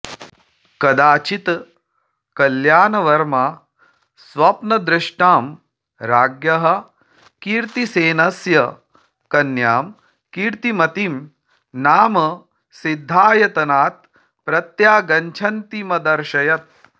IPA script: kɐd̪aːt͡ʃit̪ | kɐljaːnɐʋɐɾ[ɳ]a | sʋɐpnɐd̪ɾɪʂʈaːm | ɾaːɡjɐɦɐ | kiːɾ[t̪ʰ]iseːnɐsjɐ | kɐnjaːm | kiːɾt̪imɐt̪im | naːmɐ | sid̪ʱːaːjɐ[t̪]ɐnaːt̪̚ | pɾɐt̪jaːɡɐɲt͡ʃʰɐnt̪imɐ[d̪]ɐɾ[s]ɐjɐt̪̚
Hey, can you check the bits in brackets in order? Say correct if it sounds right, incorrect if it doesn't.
incorrect, incorrect, correct, correct, incorrect

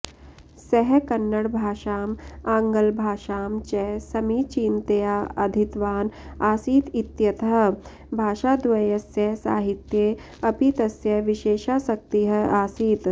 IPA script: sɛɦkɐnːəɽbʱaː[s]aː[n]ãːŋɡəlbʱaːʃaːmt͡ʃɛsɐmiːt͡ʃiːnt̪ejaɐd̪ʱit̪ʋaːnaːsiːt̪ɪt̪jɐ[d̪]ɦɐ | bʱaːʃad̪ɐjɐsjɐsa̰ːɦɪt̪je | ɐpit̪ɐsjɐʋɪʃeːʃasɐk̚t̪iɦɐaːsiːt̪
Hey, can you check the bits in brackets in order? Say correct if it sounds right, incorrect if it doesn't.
incorrect, incorrect, incorrect

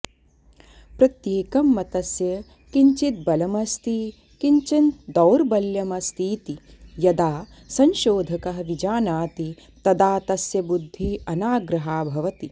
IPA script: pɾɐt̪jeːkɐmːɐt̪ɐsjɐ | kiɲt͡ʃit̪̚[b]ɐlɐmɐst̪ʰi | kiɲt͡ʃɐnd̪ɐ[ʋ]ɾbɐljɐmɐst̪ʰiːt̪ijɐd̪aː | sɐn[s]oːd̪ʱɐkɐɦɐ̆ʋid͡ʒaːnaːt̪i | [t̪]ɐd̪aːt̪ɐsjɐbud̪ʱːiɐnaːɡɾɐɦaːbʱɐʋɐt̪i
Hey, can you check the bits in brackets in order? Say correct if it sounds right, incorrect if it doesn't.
correct, incorrect, incorrect, correct

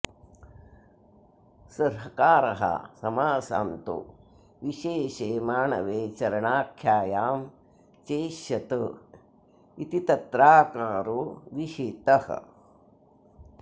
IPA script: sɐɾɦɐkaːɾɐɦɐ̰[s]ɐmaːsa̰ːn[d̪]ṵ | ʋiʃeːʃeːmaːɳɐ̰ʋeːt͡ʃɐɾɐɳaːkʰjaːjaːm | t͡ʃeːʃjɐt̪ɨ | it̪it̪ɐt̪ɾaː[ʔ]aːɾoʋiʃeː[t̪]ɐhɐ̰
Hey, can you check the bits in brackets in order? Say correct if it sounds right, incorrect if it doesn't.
correct, incorrect, incorrect, correct

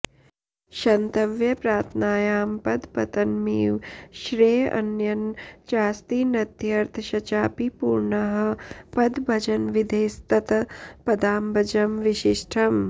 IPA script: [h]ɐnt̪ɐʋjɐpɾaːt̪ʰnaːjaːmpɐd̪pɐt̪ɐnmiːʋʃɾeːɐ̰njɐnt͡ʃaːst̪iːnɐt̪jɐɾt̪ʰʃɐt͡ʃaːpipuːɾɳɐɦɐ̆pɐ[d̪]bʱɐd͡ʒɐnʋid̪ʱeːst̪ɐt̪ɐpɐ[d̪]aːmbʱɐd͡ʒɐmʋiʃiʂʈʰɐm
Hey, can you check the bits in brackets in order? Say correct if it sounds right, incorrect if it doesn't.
incorrect, correct, correct

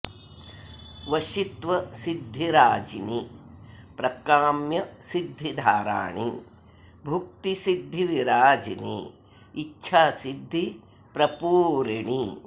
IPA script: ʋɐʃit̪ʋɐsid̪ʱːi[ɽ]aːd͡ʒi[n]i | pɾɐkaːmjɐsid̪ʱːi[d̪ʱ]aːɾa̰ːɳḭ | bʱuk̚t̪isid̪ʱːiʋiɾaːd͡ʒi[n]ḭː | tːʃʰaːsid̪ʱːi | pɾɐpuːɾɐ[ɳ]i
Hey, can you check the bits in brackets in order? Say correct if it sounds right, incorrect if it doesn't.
incorrect, correct, correct, correct, correct

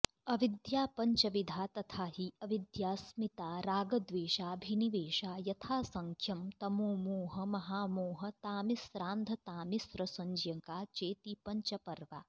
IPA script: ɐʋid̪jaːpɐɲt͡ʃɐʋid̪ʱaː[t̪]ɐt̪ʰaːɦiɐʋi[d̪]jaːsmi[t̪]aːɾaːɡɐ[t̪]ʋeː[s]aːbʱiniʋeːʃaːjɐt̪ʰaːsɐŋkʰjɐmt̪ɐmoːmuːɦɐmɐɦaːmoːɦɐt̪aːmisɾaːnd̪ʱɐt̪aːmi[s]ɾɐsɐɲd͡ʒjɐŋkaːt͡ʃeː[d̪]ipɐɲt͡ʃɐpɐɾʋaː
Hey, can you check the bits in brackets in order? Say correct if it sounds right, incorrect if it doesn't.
correct, correct, correct, incorrect, incorrect, correct, incorrect

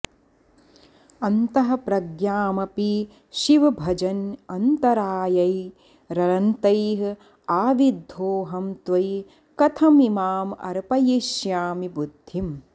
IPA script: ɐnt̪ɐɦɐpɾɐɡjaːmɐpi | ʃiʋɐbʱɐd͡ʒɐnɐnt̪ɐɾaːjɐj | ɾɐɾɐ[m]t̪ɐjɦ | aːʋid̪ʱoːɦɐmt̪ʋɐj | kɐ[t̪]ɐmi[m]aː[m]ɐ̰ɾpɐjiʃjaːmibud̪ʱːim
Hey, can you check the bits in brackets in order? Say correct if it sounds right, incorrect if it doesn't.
incorrect, incorrect, correct, correct

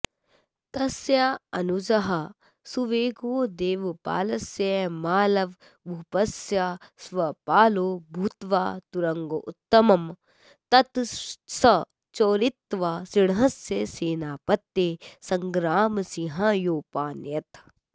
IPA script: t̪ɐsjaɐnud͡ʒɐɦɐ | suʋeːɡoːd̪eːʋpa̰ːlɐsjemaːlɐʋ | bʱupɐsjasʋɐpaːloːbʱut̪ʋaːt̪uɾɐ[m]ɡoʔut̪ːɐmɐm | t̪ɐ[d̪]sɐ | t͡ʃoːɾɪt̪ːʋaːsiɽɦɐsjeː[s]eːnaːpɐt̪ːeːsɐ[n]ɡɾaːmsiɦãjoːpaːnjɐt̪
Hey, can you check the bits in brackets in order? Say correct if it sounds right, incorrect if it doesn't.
incorrect, incorrect, correct, incorrect

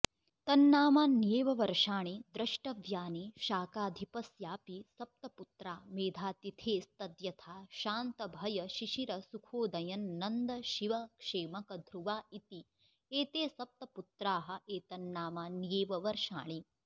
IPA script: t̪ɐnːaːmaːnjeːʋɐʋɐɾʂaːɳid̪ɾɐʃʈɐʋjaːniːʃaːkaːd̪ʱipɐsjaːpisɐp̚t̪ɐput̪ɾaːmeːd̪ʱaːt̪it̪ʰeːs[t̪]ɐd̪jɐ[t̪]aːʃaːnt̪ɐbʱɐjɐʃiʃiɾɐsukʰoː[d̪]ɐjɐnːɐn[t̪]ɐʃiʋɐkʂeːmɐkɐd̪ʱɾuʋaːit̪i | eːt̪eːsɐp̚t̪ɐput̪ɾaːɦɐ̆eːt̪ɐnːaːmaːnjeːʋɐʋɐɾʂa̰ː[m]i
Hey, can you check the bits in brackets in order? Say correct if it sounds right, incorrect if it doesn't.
correct, incorrect, correct, incorrect, incorrect

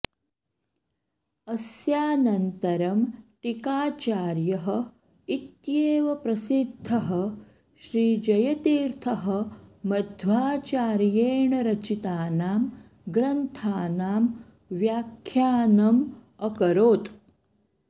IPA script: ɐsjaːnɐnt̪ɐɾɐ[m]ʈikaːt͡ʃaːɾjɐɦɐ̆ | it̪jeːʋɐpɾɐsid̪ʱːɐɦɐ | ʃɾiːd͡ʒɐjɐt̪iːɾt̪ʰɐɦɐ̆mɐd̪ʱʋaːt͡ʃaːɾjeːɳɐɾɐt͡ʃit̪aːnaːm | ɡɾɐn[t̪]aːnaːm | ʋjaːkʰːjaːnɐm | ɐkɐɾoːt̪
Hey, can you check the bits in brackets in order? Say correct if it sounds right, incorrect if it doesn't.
correct, incorrect

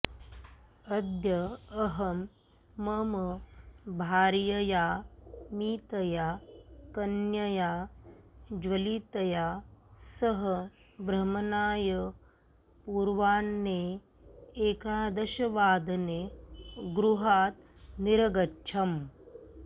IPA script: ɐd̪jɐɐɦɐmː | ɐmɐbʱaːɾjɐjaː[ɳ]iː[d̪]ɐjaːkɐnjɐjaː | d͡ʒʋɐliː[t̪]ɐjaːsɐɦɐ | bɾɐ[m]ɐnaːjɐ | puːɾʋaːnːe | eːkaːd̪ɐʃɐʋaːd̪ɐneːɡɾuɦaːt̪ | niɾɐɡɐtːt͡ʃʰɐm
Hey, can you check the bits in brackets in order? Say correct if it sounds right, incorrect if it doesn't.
incorrect, incorrect, correct, correct

